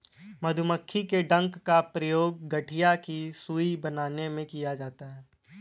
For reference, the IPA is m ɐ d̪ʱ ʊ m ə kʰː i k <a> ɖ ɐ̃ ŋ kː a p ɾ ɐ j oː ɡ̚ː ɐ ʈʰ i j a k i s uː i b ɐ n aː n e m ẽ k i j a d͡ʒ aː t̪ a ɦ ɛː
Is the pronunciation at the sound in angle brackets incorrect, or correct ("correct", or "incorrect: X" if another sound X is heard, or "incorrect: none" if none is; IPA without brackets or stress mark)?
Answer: incorrect: e